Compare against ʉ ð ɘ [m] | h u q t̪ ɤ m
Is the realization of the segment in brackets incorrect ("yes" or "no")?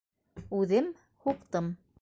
no